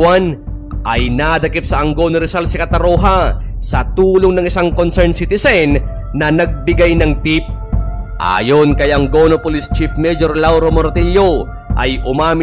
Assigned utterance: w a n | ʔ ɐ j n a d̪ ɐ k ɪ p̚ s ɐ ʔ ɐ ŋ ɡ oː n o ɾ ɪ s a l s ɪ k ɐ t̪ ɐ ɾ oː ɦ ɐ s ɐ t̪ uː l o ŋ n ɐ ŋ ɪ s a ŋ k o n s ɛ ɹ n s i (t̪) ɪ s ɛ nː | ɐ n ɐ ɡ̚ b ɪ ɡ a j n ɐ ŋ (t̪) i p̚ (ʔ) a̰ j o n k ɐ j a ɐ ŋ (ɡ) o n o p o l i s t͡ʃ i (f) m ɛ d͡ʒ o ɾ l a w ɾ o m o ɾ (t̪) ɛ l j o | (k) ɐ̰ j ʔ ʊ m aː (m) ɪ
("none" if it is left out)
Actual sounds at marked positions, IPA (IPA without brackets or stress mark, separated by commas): t̪, t̪, ʔ, ɡ, f, t̪, ʔ, m